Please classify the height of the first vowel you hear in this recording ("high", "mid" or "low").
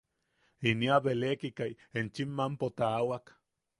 high